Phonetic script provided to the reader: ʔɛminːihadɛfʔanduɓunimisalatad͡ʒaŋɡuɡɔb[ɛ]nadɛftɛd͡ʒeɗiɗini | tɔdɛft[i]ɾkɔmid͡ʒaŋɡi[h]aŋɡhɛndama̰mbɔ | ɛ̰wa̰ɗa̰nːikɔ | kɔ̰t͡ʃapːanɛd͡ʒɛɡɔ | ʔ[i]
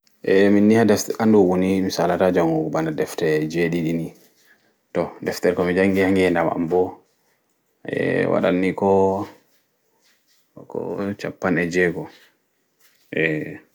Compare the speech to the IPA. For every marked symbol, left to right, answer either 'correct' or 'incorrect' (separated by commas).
incorrect, incorrect, correct, incorrect